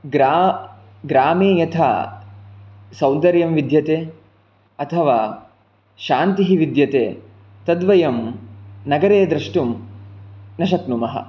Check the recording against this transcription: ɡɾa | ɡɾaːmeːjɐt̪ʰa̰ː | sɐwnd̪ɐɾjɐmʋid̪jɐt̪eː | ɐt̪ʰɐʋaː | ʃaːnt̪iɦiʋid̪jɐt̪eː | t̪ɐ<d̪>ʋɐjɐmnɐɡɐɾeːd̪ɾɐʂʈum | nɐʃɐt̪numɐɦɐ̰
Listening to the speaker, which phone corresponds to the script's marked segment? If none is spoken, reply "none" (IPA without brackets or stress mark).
d̪